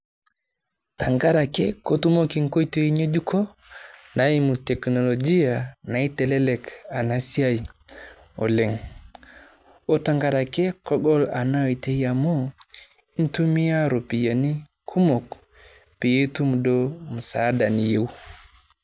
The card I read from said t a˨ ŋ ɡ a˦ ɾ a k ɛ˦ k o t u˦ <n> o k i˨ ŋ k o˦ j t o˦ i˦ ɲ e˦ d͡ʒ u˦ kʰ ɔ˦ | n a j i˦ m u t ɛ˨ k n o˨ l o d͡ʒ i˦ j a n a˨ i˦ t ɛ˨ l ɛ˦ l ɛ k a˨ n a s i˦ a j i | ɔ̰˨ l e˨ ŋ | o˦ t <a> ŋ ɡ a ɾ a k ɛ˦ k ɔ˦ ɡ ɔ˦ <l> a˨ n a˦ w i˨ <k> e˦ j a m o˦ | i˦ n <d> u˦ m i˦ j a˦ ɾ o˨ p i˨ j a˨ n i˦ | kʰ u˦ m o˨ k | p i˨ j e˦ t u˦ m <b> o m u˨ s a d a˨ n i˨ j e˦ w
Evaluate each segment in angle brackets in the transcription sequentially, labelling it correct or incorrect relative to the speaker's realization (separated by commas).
incorrect, correct, correct, incorrect, incorrect, incorrect